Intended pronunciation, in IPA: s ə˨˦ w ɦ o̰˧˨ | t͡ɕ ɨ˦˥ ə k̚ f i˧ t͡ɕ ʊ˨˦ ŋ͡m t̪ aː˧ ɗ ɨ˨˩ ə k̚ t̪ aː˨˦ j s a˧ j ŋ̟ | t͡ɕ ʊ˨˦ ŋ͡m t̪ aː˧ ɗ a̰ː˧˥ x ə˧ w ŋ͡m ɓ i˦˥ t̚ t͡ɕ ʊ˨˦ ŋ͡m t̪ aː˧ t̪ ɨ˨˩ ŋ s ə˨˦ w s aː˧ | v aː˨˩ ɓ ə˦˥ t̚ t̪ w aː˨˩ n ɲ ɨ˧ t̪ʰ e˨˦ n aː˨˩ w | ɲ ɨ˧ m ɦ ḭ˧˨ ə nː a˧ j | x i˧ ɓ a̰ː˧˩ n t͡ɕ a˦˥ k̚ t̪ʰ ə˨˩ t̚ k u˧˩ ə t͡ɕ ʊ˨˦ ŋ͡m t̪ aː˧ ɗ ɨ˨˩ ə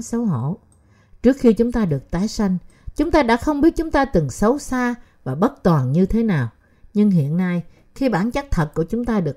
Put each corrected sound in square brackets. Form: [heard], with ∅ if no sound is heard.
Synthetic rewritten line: s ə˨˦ w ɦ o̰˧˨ | t͡ɕ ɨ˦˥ ə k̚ [x] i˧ t͡ɕ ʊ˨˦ ŋ͡m t̪ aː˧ ɗ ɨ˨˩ ə k̚ t̪ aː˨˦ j s a˧ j ŋ̟ | t͡ɕ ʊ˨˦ ŋ͡m t̪ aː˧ ɗ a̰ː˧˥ x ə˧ w ŋ͡m ɓ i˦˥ t̚ t͡ɕ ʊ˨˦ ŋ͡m t̪ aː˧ t̪ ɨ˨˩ ŋ s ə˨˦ w s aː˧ | v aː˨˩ ɓ ə˦˥ t̚ t̪ w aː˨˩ n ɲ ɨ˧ t̪ʰ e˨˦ n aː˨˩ w | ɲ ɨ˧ [ŋ] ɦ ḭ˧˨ ə nː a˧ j | x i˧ ɓ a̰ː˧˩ n t͡ɕ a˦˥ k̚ t̪ʰ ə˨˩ t̚ k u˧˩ ə t͡ɕ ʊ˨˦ ŋ͡m t̪ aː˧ ɗ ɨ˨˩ ə